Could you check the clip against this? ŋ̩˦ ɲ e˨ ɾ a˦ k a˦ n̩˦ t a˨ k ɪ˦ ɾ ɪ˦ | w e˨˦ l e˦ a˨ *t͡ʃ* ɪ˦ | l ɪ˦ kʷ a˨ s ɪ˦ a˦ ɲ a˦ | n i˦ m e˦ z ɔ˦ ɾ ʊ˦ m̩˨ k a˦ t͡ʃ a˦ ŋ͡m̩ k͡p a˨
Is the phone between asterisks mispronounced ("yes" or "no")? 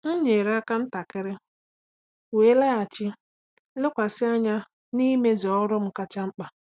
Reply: no